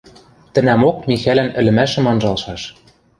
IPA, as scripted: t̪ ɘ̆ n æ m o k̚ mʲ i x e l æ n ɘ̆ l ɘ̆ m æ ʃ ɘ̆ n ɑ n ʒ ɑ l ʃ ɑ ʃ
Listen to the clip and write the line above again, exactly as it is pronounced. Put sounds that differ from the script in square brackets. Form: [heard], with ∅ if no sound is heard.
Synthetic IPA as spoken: t̪ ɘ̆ n æ m o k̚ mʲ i x [æ] l æ n ɘ̆ l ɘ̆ m æ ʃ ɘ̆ [m] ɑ n ʒ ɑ l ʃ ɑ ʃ